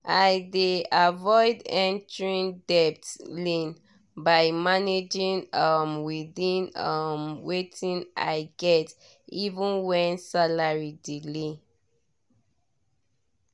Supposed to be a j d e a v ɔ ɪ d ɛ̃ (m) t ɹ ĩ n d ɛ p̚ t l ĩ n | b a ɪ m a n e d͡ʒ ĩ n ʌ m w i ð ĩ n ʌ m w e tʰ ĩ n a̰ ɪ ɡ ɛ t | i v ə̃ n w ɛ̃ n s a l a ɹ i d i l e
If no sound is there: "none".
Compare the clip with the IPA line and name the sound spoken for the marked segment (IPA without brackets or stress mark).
n